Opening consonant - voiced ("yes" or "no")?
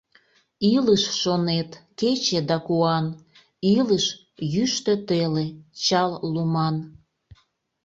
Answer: yes